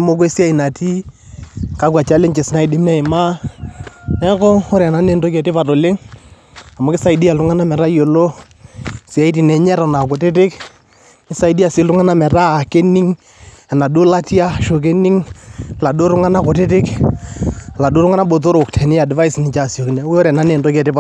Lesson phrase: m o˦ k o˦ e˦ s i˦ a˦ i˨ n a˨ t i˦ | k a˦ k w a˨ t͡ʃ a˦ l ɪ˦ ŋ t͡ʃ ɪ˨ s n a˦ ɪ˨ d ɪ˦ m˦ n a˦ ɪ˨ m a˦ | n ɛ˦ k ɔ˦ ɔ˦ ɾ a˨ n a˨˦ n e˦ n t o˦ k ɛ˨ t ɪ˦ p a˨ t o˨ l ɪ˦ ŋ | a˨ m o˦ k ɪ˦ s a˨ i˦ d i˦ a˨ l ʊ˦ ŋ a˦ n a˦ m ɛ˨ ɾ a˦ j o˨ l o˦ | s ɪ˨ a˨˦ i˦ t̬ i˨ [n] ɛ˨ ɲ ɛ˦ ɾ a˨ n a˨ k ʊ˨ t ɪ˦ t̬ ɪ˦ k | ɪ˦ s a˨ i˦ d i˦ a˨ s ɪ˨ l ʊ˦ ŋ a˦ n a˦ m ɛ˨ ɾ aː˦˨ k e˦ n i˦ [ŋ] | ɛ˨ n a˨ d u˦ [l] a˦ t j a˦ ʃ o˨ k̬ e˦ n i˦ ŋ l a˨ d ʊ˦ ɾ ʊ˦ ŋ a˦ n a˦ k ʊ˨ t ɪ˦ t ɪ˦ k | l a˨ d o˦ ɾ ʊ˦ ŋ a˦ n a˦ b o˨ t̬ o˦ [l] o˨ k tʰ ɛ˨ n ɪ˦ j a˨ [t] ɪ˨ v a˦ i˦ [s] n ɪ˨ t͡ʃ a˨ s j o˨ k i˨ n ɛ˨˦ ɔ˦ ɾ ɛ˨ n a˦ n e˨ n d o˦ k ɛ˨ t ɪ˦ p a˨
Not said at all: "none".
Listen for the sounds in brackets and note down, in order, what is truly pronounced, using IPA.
n, ŋ, l, ɾ, d, s

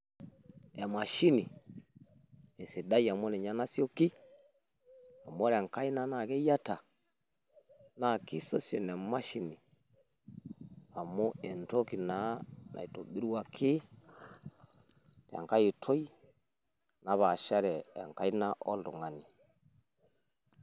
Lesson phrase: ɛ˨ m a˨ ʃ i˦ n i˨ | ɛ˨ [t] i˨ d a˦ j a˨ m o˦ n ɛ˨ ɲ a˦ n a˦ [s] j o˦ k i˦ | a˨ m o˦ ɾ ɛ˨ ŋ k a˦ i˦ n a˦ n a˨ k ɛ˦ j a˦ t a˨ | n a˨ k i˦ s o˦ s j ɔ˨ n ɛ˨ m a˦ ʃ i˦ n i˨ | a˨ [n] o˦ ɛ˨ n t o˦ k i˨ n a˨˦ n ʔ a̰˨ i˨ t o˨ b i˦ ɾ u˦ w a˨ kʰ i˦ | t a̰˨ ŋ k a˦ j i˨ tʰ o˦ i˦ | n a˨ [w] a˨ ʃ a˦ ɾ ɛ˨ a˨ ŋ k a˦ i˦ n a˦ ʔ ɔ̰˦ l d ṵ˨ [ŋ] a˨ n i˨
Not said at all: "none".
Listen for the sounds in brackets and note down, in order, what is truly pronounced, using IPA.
s, s, m, β, ŋ

